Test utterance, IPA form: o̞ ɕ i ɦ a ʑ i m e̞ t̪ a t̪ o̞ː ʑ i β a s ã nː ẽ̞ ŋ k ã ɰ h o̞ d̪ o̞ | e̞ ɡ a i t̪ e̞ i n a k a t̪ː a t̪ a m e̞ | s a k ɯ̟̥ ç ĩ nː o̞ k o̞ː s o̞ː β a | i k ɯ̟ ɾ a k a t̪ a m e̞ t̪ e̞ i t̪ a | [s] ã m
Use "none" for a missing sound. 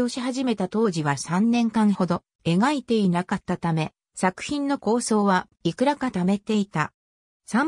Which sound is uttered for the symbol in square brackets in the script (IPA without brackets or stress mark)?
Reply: s